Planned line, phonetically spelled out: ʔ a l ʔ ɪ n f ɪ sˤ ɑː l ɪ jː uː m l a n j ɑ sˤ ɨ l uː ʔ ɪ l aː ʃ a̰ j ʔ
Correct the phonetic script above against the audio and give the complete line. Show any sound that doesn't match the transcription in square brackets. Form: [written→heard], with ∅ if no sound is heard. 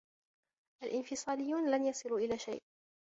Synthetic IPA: ʔ a l ʔ ɪ n f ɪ sˤ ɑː l ɪ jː uː [m→n] l a n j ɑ sˤ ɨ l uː ʔ ɪ l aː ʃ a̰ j ʔ